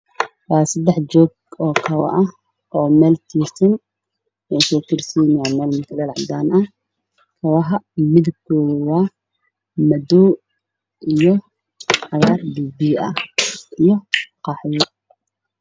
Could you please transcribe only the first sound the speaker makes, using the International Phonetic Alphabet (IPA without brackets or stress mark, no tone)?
w